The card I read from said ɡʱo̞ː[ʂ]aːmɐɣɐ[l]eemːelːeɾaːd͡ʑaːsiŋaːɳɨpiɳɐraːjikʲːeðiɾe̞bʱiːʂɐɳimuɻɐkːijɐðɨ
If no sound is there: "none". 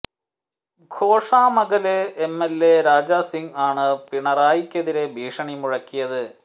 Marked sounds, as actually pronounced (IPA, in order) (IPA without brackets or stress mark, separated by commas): ʂ, l